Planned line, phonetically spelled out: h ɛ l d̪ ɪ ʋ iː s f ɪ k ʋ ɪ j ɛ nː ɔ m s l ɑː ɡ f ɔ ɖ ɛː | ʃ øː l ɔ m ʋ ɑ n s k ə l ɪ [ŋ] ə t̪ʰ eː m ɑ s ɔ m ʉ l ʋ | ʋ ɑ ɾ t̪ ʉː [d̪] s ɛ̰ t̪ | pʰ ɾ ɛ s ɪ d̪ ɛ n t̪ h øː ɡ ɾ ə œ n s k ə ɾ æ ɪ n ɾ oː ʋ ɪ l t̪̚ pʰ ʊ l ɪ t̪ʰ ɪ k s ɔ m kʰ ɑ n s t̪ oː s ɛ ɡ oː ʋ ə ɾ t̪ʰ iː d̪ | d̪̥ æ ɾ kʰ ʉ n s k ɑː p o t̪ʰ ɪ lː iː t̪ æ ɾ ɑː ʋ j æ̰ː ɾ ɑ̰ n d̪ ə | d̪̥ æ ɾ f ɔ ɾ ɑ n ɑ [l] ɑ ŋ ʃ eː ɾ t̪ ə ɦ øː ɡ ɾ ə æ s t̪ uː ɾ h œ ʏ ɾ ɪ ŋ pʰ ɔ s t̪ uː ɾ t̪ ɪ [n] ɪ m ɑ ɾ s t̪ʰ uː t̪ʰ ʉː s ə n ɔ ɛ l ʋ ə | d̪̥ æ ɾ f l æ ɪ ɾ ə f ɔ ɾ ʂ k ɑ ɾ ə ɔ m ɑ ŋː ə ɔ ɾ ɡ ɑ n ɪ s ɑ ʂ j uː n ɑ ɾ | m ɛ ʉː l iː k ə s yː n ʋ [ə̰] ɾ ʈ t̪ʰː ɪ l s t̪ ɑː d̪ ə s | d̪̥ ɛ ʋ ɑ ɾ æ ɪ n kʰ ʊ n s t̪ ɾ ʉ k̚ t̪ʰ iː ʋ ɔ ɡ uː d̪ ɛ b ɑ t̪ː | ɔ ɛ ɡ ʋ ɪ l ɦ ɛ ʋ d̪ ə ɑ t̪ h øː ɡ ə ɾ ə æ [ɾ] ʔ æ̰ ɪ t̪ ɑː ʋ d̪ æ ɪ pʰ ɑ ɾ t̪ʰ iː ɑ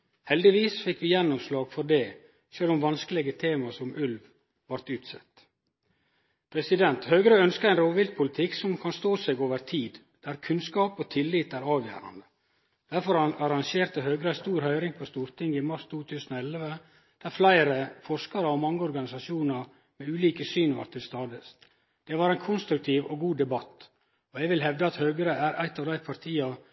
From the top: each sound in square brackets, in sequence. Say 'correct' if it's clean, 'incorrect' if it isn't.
incorrect, incorrect, incorrect, incorrect, incorrect, correct

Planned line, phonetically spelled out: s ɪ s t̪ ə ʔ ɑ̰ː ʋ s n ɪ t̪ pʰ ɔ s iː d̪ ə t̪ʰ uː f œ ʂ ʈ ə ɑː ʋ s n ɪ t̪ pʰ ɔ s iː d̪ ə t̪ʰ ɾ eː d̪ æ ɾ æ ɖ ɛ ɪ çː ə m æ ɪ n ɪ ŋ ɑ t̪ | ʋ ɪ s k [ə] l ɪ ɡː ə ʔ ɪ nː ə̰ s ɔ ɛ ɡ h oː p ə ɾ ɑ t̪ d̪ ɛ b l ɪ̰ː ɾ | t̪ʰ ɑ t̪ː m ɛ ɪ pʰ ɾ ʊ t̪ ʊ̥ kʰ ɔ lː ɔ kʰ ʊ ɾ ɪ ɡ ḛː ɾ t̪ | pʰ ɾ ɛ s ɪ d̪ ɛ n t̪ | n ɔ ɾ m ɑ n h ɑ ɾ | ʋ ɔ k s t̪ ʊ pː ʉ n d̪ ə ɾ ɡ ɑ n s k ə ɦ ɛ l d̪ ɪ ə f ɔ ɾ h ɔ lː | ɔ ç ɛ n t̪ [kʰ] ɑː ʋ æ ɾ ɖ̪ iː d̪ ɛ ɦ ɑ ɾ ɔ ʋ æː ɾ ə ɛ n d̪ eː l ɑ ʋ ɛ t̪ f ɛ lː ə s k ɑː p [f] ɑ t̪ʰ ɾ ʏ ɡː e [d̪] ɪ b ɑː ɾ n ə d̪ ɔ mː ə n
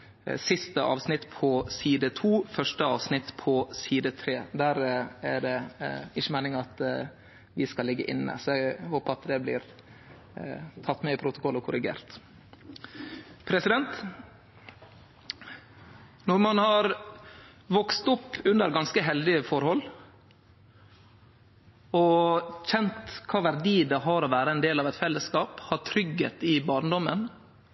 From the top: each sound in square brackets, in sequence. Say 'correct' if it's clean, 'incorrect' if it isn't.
incorrect, correct, incorrect, incorrect

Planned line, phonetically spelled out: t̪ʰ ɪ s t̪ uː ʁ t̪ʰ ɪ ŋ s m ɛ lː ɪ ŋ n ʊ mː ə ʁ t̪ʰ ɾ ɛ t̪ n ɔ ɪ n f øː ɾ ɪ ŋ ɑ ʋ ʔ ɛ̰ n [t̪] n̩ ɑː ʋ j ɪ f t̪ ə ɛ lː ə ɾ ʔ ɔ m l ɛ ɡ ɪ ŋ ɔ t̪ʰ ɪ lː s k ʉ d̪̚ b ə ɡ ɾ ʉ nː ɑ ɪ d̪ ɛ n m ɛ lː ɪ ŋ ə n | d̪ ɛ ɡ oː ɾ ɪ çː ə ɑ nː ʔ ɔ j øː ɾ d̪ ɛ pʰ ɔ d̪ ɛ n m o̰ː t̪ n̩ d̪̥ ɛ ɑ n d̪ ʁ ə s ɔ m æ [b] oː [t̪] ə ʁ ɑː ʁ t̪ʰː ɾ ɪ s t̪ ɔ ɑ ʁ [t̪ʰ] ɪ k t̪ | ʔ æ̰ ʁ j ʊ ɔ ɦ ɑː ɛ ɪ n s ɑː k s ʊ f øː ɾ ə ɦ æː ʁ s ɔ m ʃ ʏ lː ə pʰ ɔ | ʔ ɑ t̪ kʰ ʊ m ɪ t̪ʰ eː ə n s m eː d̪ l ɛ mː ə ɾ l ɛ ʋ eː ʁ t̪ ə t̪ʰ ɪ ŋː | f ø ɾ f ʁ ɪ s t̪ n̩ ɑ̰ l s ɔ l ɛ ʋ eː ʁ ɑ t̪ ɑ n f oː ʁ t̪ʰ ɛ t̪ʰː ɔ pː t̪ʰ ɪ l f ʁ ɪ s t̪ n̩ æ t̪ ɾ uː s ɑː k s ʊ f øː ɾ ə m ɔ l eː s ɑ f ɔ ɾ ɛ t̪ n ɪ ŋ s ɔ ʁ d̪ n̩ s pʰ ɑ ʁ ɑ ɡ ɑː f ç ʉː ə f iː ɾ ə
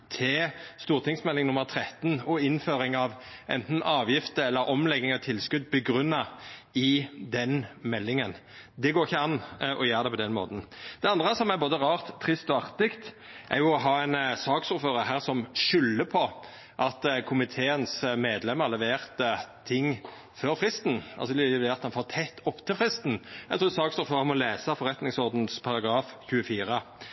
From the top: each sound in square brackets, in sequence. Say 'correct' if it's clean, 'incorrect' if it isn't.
correct, correct, incorrect, incorrect

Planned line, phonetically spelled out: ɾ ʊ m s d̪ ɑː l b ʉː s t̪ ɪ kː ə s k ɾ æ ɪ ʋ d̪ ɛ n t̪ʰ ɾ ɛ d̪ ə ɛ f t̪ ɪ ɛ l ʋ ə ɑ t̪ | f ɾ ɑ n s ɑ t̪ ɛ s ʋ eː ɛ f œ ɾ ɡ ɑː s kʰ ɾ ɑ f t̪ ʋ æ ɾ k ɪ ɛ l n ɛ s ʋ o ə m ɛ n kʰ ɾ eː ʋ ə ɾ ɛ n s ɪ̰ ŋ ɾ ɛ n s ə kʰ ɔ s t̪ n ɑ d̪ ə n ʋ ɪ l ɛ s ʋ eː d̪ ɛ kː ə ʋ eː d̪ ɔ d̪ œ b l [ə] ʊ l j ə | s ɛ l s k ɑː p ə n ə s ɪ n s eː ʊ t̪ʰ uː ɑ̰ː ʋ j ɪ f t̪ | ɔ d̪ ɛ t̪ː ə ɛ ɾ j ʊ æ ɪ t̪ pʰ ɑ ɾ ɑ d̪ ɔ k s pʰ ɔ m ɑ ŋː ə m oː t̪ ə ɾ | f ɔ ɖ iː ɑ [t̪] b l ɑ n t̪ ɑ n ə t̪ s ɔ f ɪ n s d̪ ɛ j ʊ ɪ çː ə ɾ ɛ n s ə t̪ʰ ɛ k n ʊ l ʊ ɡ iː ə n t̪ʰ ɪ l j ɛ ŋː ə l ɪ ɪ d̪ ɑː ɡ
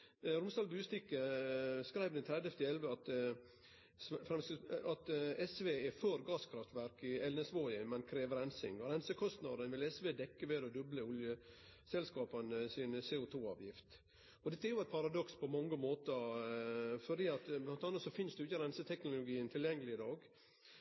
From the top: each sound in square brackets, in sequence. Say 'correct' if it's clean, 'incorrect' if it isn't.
correct, correct

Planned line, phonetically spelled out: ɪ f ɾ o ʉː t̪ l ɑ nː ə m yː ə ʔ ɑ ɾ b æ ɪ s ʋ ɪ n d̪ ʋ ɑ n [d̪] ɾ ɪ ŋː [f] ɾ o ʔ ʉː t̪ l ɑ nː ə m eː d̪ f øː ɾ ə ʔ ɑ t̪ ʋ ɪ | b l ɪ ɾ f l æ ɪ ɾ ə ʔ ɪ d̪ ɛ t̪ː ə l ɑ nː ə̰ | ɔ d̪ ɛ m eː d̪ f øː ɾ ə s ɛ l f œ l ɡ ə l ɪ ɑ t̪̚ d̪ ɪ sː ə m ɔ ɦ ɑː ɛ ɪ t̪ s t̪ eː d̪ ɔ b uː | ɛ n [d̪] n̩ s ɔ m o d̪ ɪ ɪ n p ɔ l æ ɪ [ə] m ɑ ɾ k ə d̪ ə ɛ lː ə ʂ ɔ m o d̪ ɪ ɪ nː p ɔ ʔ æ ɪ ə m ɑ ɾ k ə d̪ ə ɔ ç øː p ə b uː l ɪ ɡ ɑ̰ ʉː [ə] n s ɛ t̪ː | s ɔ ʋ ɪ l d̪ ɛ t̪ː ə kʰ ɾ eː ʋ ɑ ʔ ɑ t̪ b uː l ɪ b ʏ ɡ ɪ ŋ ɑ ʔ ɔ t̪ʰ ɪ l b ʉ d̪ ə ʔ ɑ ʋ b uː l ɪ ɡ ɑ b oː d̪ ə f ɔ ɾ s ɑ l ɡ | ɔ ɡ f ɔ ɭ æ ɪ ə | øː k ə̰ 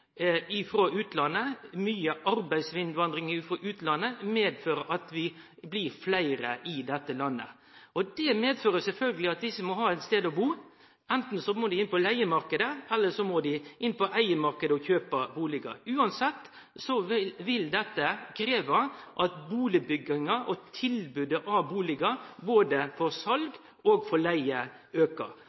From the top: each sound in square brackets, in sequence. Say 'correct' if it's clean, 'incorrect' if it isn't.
correct, correct, incorrect, correct, incorrect

